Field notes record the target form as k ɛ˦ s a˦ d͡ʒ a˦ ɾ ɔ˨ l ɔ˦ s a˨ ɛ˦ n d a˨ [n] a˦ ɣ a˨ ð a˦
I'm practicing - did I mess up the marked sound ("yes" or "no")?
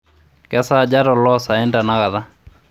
no